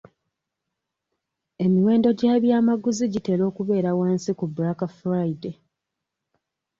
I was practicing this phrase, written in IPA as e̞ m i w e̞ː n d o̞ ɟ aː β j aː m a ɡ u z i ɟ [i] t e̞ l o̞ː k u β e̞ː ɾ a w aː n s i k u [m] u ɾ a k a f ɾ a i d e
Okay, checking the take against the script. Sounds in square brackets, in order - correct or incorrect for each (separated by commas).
correct, incorrect